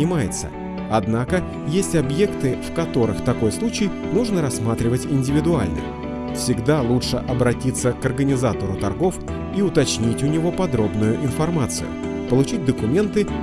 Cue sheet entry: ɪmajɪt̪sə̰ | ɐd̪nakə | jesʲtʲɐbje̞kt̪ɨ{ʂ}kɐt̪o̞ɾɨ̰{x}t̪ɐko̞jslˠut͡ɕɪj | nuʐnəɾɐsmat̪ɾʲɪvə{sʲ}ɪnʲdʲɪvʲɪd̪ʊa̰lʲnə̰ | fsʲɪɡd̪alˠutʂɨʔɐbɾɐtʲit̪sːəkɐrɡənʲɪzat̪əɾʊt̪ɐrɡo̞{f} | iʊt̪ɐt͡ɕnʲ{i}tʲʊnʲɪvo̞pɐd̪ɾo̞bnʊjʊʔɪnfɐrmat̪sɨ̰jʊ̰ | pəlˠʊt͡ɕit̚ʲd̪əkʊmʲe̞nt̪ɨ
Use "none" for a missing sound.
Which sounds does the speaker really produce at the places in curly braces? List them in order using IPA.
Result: f, x, tʲ, f, i

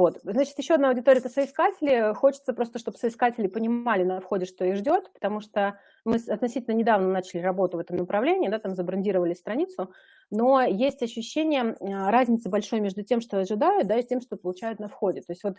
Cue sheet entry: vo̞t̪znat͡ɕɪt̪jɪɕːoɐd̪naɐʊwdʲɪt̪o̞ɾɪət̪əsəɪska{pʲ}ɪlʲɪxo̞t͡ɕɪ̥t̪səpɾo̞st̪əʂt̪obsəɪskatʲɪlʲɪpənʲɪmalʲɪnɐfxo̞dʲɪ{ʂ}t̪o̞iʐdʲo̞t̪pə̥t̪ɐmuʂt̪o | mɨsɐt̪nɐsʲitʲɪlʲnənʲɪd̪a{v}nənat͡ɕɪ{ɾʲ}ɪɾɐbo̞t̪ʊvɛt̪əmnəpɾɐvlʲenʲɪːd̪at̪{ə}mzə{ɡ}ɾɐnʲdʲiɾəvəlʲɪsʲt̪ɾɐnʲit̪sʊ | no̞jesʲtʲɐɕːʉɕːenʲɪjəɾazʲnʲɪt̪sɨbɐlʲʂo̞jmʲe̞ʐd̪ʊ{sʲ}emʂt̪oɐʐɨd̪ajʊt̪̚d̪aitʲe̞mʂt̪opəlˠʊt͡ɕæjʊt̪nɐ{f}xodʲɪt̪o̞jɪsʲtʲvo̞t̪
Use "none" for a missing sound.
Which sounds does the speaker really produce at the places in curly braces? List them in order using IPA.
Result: tʲ, ʂ, v, lʲ, a, b, tʲ, f

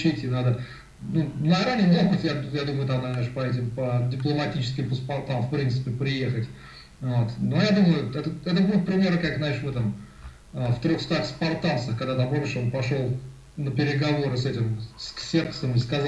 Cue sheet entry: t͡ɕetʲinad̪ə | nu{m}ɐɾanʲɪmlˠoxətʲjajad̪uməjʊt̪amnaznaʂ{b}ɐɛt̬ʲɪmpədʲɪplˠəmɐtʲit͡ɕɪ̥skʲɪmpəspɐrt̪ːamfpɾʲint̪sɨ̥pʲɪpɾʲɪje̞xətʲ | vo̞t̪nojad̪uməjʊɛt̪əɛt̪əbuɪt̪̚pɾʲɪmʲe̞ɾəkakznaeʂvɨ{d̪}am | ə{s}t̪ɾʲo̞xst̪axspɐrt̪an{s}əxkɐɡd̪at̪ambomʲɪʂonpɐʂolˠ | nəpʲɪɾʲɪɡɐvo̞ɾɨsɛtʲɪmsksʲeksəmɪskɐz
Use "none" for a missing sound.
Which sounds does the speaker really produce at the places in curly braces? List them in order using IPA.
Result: n, p, t̪, f, s

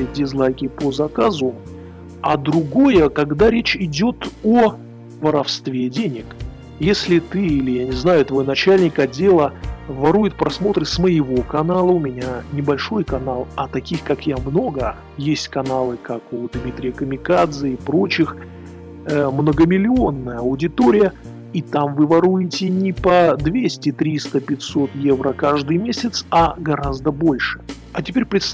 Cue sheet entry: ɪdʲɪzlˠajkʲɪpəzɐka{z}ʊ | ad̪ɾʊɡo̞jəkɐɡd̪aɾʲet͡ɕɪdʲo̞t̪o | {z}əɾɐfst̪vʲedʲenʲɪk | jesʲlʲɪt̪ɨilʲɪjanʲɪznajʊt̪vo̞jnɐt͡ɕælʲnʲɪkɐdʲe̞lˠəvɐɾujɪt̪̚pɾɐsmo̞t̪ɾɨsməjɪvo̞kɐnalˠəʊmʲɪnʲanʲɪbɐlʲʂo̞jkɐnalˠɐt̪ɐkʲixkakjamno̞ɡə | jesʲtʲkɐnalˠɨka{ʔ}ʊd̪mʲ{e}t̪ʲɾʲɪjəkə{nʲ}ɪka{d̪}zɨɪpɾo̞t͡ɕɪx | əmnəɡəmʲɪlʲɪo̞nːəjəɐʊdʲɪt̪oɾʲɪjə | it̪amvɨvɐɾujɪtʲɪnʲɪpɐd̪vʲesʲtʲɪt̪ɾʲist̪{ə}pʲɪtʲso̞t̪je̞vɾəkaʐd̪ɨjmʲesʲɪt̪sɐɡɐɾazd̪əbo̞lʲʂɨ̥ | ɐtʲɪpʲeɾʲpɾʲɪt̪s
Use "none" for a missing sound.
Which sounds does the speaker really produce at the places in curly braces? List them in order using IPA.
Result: z, v, k, i, mʲ, d̪, ə

